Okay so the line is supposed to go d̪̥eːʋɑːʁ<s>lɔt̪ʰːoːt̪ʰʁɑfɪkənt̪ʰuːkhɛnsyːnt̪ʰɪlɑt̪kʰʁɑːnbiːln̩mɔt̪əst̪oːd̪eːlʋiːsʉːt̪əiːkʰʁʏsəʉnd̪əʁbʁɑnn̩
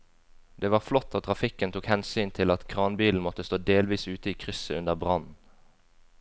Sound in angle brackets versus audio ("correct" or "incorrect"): incorrect